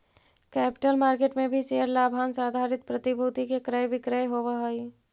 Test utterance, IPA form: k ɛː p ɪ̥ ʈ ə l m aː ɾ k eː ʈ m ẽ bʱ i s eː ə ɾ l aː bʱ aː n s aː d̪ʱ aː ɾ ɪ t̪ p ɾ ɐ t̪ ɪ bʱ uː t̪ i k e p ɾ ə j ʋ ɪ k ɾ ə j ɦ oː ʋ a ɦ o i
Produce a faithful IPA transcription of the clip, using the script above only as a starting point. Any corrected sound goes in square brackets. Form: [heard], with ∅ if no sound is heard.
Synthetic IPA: k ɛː p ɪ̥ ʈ ə l m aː ɾ k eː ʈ m ẽ bʱ i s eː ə ɾ l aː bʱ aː n s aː d̪ʱ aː ɾ ɪ t̪ p ɾ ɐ t̪ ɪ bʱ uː t̪ i k e [k] ɾ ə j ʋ ɪ k ɾ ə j ɦ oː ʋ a ɦ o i

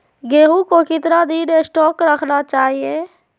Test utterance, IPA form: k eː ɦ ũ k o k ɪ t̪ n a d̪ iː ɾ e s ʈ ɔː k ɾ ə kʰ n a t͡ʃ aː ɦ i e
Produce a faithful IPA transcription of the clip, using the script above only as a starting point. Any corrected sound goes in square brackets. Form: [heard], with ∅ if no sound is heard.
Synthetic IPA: [ɡ] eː ɦ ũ k o k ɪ t̪ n a d̪ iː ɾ e s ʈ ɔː k ɾ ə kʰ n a t͡ʃ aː ɦ i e

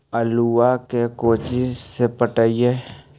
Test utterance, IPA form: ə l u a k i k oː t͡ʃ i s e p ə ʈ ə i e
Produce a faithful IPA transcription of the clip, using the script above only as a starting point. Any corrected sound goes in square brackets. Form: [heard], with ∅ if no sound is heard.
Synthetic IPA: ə l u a k [e] k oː t͡ʃ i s e p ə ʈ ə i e

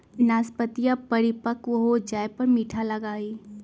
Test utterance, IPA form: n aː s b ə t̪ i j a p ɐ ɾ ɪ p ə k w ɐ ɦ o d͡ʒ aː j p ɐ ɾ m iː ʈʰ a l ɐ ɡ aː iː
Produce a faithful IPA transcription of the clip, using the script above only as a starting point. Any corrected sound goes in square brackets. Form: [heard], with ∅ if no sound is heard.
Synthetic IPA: n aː s [p] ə t̪ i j a p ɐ ɾ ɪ p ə k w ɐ ɦ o d͡ʒ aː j p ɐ ɾ m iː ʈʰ a l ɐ ɡ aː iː

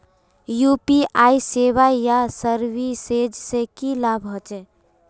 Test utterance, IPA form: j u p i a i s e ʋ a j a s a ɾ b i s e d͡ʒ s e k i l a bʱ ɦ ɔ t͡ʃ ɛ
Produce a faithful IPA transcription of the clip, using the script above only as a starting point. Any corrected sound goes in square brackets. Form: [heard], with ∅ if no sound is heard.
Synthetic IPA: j u p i a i s e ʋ a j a s [ə] ɾ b i s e d͡ʒ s e k i l a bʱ ɦ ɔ t͡ʃ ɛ

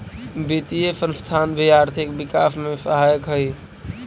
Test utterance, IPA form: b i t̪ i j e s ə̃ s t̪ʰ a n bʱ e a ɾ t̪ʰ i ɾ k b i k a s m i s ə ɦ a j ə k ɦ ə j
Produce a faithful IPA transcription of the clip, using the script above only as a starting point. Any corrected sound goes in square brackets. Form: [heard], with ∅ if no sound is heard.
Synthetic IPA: b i t̪ i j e s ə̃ s t̪ʰ a n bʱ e a ɾ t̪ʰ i [∅] k b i k a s m [e] s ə ɦ a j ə k ɦ ə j

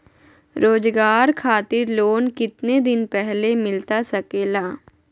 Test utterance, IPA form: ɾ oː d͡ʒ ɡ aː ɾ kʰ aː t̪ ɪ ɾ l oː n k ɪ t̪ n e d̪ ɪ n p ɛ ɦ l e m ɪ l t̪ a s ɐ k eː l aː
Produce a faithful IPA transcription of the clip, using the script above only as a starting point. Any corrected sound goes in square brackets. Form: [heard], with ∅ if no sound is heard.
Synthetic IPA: ɾ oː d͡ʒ ɡ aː ɾ kʰ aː t̪ ɪ ɾ l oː n k ɪ t̪ n e d̪ ɪ n p ɛ ɦ l e m ɪ l t̪ a s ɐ k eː l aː

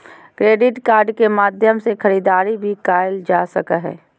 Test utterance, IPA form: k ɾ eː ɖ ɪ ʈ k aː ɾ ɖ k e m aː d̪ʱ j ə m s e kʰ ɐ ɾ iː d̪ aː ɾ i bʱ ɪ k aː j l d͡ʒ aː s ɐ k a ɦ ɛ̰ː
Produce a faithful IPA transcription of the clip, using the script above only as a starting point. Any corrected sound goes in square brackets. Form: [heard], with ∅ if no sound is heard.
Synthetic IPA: k ɾ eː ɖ ɪ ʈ k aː ɾ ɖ k e m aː d̪ʱ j ə m s e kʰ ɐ ɾ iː d̪ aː ɾ i bʱ [i] k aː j l d͡ʒ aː s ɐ k a ɦ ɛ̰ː

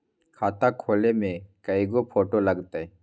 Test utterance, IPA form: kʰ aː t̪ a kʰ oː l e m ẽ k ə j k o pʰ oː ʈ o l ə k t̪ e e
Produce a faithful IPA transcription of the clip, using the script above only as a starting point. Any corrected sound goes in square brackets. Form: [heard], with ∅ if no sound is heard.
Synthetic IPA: kʰ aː t̪ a kʰ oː l e m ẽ k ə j [ɡ] o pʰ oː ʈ o l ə [ɡ] t̪ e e

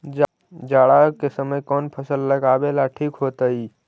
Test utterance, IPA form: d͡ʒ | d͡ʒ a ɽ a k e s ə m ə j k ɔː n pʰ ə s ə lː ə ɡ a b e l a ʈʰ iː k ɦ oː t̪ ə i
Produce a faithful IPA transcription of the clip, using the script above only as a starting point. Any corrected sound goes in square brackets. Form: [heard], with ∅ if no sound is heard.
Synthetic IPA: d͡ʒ | d͡ʒ a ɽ a k e s ə m ə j k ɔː n pʰ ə s ə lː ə ɡ a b e l a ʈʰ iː k ɦ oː t̪ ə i

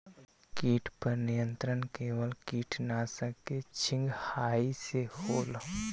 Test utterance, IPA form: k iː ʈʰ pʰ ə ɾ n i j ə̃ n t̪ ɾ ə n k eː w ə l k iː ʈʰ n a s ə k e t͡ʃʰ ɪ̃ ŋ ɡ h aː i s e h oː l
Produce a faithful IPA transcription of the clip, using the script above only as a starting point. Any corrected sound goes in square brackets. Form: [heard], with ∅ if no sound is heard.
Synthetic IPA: k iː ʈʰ [p] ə ɾ n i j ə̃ n t̪ ɾ ə n k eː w ə l k iː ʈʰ n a s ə k e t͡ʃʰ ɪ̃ ŋ ɡ h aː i s e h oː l

